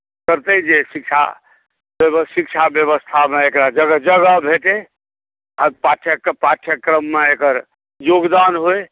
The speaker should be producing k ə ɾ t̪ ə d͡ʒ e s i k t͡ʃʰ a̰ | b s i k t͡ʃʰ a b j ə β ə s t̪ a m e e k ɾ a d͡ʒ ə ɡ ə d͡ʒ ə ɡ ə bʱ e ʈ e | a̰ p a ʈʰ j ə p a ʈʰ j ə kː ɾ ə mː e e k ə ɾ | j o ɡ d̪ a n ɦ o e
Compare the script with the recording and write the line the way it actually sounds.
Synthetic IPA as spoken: k ə ɾ t̪ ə d͡ʒ e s i k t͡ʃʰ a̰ | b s i k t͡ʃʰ a b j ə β ə s t̪ʰ a m e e k ɾ a d͡ʒ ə ɡ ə d͡ʒ ə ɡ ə bʱ e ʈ e | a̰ p a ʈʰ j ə p a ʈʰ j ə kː ɾ ə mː e e k ə ɾ | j o ɡ d̪ a n ɦ o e